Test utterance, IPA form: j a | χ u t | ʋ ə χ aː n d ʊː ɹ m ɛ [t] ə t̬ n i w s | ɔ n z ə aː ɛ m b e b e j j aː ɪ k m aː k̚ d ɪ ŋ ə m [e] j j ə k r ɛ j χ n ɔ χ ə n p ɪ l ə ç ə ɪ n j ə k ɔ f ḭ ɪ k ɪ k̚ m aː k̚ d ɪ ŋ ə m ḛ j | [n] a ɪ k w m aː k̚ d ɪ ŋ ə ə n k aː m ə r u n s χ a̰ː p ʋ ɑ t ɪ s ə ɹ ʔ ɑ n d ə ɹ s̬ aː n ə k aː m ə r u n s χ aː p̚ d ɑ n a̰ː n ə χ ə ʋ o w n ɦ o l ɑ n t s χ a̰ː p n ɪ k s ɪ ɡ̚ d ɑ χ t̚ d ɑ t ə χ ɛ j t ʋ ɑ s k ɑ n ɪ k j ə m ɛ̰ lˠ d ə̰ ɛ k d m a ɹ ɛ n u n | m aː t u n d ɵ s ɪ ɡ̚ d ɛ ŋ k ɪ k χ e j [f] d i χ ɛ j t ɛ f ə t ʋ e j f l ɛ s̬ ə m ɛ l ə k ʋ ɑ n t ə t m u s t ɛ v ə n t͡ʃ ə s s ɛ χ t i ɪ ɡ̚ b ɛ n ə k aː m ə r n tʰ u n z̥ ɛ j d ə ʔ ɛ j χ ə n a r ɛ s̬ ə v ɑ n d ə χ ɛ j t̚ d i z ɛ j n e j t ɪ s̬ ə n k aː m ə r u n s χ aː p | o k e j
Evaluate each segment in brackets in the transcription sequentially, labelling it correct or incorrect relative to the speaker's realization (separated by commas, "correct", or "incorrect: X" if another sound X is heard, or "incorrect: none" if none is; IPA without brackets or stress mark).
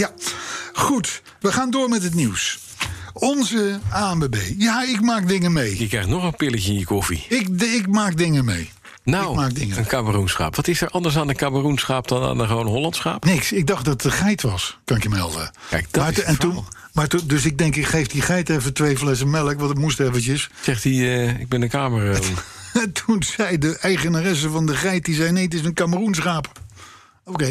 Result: correct, correct, correct, correct